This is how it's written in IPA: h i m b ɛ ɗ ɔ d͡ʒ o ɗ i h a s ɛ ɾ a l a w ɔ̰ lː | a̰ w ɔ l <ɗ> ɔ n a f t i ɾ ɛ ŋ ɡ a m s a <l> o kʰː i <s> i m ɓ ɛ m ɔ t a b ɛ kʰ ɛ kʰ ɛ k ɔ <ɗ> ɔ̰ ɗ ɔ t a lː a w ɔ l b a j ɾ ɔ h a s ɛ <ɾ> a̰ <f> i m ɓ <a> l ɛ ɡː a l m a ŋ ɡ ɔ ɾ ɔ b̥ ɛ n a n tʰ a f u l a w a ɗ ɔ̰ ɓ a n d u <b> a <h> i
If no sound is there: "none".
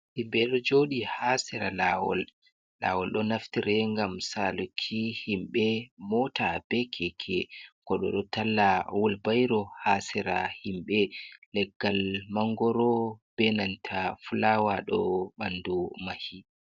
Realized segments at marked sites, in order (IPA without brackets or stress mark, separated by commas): ɗ, l, h, ɗ, ɾ, h, ɛ, m, h